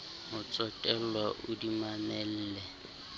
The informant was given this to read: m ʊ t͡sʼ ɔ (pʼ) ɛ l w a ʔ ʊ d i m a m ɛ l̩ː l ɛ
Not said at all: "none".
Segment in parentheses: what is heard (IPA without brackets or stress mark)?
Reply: tʼ